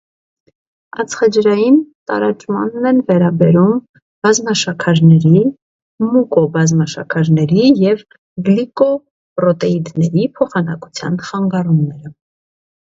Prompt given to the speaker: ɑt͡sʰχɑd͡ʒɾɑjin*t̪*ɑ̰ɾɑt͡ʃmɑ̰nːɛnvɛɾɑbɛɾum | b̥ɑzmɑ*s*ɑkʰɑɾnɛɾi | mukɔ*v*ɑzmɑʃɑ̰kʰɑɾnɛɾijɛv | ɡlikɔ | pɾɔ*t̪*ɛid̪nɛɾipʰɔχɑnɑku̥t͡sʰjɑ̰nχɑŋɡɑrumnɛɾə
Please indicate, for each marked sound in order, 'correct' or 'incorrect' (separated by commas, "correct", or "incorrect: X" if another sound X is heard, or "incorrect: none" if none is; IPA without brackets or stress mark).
correct, incorrect: ʃ, incorrect: b, correct